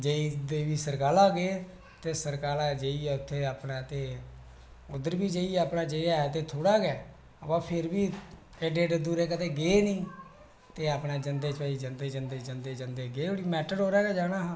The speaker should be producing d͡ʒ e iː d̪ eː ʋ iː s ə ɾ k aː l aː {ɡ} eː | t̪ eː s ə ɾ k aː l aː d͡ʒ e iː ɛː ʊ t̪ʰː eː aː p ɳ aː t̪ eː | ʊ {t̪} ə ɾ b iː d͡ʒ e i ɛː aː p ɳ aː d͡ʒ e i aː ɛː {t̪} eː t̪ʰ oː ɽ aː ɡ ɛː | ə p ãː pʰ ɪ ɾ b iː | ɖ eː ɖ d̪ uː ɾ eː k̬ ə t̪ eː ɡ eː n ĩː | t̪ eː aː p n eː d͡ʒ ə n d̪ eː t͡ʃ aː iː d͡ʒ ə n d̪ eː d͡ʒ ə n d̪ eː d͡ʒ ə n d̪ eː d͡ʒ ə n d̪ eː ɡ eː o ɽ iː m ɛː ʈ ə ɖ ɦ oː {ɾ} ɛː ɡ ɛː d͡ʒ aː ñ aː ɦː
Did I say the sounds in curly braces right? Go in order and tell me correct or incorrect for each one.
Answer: correct, incorrect: d̪, correct, correct

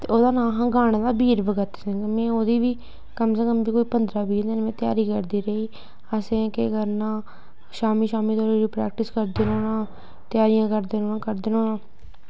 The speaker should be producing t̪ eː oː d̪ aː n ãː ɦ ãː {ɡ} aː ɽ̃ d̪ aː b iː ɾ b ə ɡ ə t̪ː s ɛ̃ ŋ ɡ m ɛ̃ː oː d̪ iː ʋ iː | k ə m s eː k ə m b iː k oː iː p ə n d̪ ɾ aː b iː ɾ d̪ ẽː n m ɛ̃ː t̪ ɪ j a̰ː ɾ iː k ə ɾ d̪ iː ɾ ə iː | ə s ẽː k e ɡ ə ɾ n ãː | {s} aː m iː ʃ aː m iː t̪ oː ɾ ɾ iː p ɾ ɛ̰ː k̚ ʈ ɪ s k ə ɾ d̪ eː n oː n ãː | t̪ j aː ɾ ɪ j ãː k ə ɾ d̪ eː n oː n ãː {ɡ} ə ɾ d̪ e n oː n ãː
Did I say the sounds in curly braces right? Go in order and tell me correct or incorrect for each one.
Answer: correct, incorrect: ʃ, incorrect: k

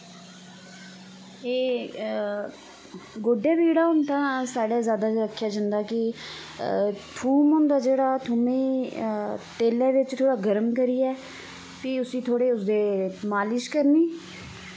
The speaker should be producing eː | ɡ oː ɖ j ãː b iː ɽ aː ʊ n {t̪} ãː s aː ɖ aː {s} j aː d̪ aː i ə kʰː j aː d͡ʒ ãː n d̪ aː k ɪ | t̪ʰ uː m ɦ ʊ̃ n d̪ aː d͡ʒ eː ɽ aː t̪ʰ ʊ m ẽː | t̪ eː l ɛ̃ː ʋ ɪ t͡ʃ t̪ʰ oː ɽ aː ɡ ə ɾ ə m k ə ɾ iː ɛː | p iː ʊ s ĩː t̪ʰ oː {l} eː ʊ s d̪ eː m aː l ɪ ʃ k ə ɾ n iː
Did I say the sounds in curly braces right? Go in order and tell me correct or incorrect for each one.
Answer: correct, incorrect: z, incorrect: ɽ

